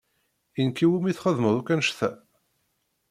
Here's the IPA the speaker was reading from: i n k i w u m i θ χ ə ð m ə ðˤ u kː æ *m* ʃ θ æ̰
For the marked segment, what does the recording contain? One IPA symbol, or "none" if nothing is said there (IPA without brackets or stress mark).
n